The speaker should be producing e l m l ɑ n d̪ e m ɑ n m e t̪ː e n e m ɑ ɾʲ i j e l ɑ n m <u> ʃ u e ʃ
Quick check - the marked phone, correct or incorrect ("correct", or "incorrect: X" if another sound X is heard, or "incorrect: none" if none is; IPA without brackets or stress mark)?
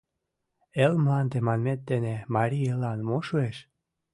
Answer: incorrect: o